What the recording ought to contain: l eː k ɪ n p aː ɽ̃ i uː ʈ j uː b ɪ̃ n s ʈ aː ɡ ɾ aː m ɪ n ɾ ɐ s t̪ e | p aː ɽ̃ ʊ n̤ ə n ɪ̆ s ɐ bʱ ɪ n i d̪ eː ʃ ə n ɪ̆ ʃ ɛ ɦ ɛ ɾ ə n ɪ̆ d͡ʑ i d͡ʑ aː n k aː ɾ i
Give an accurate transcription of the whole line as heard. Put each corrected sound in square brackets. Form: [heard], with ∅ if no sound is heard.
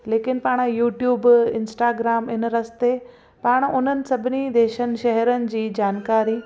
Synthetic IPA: l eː k ɪ n p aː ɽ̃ [j] uː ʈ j uː b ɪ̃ n s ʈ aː ɡ ɾ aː m ɪ n ɾ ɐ s t̪ e | p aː ɽ̃ ʊ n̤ ə n ɪ̆ s ɐ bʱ ɪ n i d̪ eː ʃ ə n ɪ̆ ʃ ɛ ɦ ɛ ɾ ə n ɪ̆ d͡ʑ [iː] d͡ʑ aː n k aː ɾ i